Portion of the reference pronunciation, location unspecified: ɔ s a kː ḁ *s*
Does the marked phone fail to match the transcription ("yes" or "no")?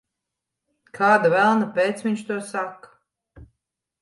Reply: yes